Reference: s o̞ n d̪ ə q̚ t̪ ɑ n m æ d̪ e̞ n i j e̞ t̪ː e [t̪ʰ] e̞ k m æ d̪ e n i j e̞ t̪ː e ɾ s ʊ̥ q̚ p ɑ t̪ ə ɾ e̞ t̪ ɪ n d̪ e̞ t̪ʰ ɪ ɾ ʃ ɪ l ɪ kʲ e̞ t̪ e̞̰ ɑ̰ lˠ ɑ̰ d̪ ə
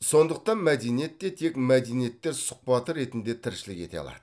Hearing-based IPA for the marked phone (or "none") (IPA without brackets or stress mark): t̪ʰ